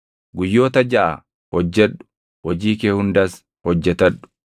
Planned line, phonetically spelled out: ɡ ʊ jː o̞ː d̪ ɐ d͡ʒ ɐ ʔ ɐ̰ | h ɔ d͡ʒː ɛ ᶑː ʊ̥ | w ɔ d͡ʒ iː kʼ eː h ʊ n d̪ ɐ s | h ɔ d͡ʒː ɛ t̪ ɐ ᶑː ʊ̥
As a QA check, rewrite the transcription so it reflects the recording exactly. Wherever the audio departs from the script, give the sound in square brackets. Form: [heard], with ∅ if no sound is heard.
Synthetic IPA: ɡ ʊ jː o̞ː [t̪] ɐ d͡ʒ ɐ ʔ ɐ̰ | h ɔ d͡ʒː ɛ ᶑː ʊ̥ | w ɔ d͡ʒ iː [k] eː h ʊ n d̪ ɐ s | h ɔ d͡ʒː ɛ t̪ ɐ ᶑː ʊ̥